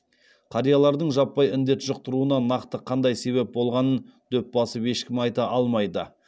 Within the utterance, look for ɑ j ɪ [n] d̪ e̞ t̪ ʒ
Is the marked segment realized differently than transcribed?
no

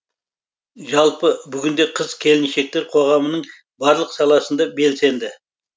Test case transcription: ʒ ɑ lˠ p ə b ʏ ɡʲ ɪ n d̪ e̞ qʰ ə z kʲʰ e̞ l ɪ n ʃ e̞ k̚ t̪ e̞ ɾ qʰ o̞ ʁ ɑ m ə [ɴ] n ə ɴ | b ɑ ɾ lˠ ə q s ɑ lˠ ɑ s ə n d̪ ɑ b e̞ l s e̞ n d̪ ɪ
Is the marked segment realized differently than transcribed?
yes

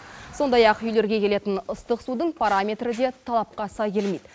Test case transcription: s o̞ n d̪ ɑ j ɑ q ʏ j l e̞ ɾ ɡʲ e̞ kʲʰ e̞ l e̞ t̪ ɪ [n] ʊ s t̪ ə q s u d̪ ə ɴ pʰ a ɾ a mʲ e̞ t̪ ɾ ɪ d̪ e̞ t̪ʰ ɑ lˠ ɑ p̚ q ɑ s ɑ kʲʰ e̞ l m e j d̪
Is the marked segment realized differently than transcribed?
no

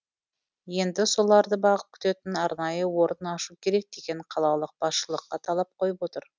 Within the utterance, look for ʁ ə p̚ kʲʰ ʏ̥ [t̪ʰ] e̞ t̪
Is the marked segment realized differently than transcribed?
yes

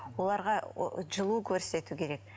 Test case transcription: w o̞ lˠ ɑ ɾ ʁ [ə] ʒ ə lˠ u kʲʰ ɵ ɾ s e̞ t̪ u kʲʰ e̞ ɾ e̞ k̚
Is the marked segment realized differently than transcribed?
yes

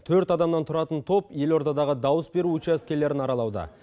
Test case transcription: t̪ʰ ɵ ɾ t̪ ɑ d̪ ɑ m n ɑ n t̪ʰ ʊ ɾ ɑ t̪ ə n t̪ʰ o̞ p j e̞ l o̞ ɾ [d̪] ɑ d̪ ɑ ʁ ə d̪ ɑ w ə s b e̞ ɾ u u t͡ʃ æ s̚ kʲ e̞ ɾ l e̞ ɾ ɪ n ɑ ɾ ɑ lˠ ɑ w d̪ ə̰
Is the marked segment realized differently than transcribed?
yes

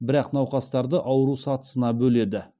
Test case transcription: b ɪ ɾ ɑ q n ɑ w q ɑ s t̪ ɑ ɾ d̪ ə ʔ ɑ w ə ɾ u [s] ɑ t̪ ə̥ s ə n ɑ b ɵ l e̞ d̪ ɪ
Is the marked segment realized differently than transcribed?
no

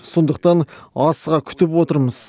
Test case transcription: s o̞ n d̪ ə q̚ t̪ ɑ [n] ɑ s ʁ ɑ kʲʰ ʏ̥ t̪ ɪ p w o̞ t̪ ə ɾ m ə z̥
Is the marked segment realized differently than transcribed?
no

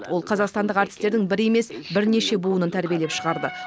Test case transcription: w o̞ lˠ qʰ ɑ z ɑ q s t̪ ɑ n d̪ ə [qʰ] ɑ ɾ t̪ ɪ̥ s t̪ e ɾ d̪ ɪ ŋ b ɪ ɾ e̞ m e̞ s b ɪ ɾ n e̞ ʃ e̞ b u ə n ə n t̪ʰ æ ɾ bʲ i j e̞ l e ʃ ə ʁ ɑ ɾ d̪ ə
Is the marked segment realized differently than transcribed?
yes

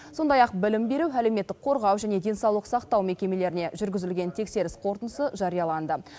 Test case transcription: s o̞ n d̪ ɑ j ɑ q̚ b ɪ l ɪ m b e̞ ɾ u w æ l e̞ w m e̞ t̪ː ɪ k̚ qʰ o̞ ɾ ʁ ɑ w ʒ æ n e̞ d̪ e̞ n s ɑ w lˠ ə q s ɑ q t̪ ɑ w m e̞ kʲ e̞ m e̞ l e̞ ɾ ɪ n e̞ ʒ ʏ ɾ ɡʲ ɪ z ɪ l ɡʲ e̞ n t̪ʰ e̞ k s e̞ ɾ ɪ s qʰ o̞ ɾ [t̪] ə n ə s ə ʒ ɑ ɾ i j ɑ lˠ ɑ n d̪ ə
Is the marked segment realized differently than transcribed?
no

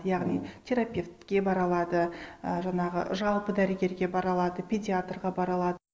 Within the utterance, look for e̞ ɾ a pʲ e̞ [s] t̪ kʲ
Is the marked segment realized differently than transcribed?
yes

